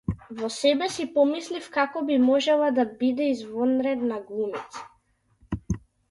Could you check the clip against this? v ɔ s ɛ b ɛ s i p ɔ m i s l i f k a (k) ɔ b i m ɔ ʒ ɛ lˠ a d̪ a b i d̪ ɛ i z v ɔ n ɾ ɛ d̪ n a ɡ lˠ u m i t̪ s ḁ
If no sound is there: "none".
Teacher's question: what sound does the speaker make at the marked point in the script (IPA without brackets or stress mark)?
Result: k